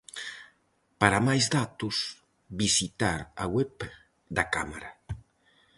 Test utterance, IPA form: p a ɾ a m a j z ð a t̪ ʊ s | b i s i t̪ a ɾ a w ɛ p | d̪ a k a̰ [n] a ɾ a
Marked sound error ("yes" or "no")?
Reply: yes